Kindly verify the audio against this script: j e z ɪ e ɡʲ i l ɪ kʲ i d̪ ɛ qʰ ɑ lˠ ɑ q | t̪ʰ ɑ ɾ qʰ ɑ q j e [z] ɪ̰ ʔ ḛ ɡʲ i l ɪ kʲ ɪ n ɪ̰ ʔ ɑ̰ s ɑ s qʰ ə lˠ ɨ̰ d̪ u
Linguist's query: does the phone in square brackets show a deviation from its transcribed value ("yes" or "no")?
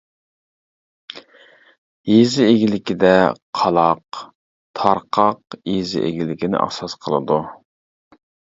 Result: no